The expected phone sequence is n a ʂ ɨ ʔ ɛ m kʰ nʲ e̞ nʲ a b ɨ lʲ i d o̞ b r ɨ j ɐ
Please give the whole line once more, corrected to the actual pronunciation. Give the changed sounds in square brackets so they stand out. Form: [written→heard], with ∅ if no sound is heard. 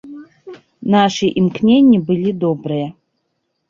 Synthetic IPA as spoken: n a ʂ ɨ ʔ [ɛ→i] m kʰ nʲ e̞ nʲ [a→i] b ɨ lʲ i d o̞ b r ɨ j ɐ